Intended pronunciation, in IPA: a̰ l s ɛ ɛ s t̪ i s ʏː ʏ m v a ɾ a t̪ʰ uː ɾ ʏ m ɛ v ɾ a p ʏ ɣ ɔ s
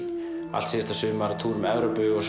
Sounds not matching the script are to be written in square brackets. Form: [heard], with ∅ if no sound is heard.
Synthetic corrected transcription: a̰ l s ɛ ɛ s t̪ [a] s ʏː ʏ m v a ɾ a t̪ʰ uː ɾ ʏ m ɛ v ɾ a p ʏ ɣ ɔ s